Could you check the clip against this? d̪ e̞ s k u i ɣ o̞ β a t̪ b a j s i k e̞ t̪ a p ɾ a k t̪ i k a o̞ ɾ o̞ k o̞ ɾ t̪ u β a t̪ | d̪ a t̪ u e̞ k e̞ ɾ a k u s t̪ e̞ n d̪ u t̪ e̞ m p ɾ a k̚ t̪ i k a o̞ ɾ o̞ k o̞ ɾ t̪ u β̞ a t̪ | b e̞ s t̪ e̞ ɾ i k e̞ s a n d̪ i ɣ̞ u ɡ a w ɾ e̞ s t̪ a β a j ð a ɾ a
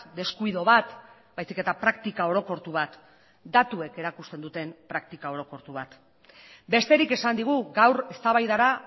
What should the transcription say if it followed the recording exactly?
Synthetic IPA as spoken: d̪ e̞ s k u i ð o̞ β a t̪ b a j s i k e̞ t̪ a p ɾ a k t̪ i k a o̞ ɾ o̞ k o̞ ɾ t̪ u β a t̪ | d̪ a t̪ u e̞ k e̞ ɾ a k u s t̪ e̞ n d̪ u t̪ e̞ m p ɾ a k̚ t̪ i k a o̞ ɾ o̞ k o̞ ɾ t̪ u β̞ a t̪ | b e̞ s t̪ e̞ ɾ i k e̞ s a n d̪ i ɣ̞ u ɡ a w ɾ e̞ s t̪ a β a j ð a ɾ a

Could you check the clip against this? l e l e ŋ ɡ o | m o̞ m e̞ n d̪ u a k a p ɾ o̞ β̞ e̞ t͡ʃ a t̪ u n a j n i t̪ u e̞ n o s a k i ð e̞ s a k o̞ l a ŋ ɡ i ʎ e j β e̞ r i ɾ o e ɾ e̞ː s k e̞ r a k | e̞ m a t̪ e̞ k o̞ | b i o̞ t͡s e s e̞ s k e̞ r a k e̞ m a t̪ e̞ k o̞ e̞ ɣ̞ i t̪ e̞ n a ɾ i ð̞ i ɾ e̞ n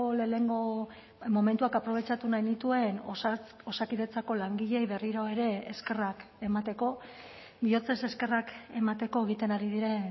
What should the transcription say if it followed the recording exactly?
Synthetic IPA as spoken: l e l e ŋ ɡ o | m o̞ m e̞ n t̪ u a k a p ɾ o̞ β̞ e̞ t͡ʃ a t̪ u n a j n i t̪ u e̞ n o s a k i ð e̞ t͡s a k o̞ l a ŋ ɡ i ʎ e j β e̞ r i ɾ o e ɾ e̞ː s k e̞ r a k | e̞ m a t̪ e̞ k o̞ | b i o̞ t͡s e s e̞ s k e̞ r a k e̞ m a t̪ e̞ k o̞ e̞ ɣ̞ i t̪ e̞ n a ɾ i ð̞ i ɾ e̞ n

